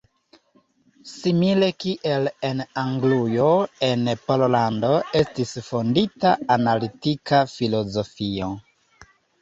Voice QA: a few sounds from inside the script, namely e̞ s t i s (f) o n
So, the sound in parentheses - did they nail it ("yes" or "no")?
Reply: yes